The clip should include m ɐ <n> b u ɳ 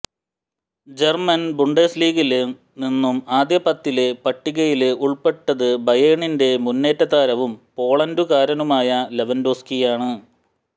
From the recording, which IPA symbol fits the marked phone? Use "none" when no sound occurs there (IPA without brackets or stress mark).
n